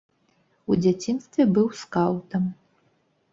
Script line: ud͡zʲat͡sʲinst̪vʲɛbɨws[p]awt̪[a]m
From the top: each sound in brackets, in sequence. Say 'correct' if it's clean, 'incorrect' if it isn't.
incorrect: k, incorrect: ɐ

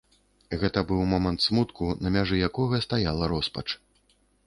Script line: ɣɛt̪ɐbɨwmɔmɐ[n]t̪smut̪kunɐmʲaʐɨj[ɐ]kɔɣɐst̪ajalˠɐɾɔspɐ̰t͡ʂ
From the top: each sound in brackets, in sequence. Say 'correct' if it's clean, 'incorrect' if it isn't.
correct, incorrect: a

